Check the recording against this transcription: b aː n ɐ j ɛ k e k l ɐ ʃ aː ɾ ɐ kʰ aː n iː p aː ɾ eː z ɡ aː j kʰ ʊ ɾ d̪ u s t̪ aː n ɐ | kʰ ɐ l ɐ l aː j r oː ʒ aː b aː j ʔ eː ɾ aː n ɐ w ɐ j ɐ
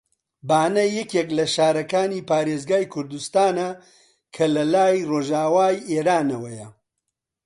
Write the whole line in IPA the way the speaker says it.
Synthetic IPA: b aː n ɐ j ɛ k e k l ɐ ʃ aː ɾ ɐ k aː n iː p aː ɾ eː z ɡ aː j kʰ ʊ ɾ d̪ u s t̪ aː n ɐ | kʰ ɐ l ɐ l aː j r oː ʒ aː w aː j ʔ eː ɾ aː n ɐ w ɐ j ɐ